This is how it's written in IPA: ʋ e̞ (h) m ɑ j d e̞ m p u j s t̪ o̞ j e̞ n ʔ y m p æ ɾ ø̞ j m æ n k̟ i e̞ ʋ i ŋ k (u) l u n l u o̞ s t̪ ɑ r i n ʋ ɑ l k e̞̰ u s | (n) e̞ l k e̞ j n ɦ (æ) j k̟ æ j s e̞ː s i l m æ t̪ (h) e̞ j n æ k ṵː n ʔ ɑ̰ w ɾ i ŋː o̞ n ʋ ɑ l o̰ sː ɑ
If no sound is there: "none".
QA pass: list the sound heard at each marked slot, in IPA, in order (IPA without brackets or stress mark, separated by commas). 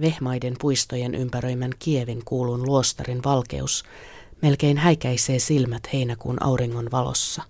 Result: h, uː, m, æ, h